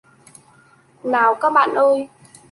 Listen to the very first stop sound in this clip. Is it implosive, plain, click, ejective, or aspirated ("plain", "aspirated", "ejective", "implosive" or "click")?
plain